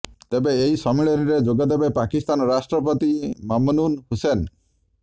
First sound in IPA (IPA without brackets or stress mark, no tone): t̪